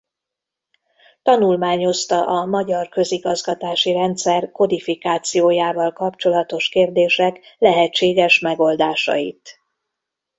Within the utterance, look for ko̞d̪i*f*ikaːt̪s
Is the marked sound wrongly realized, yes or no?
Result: no